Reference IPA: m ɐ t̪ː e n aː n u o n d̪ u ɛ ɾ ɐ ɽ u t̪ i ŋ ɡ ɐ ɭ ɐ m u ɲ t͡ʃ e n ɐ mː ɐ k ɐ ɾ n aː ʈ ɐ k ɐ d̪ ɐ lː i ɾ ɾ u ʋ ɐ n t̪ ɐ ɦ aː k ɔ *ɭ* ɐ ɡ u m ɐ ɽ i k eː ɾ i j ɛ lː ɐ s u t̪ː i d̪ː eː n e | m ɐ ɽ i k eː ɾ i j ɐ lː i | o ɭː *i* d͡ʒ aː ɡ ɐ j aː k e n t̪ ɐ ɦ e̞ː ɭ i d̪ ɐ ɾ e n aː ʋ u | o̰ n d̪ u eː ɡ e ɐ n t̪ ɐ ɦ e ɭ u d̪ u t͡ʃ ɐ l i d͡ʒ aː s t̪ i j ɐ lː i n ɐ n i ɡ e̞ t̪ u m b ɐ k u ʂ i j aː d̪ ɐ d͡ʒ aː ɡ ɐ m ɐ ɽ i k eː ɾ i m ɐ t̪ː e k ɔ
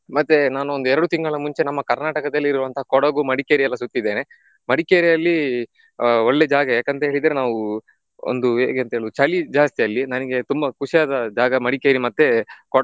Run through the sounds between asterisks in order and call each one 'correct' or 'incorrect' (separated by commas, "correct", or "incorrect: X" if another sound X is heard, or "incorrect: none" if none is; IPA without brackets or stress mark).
incorrect: ɽ, incorrect: e